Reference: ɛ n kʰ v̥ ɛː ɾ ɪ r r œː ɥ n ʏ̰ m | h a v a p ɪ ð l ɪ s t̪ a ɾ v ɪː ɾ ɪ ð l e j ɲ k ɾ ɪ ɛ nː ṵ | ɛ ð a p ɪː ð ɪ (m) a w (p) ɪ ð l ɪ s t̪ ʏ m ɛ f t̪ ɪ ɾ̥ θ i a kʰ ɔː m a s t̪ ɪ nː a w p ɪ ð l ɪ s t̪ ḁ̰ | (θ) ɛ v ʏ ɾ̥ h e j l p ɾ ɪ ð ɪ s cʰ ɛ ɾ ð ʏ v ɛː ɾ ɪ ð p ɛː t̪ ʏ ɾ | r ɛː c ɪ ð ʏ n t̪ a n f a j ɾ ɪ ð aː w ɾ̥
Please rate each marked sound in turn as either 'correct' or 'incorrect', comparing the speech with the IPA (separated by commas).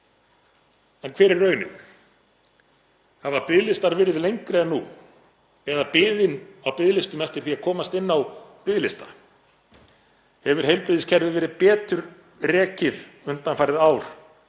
incorrect, correct, incorrect